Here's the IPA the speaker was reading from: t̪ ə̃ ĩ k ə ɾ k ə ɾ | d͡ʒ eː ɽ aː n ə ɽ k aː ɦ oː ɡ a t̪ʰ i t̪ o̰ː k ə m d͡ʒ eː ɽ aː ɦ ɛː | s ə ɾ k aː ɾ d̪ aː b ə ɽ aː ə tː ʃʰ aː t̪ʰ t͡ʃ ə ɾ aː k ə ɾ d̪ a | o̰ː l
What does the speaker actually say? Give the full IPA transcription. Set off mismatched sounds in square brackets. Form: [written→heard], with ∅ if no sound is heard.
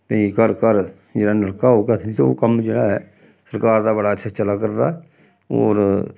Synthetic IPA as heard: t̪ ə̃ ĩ k ə ɾ k ə ɾ | d͡ʒ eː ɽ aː n ə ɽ k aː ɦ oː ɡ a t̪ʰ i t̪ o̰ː k ə m d͡ʒ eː ɽ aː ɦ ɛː | s ə ɾ k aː ɾ d̪ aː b ə ɽ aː ə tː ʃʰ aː [t̪ʰ→∅] t͡ʃ ə [ɾ→l] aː k ə ɾ d̪ a | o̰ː [l→ɾ]